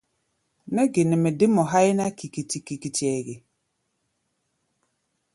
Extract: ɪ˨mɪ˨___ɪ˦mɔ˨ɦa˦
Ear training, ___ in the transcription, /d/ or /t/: d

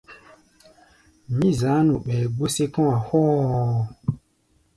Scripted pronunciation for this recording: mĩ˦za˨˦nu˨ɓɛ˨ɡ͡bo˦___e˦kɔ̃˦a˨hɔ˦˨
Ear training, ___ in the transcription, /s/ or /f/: s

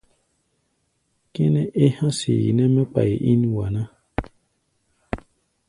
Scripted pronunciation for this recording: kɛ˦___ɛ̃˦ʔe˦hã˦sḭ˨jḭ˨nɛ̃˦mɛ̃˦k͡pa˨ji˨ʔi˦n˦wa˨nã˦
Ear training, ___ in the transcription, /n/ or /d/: n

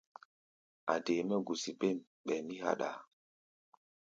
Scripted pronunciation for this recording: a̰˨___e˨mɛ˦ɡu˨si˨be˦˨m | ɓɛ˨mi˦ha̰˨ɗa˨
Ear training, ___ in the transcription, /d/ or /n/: d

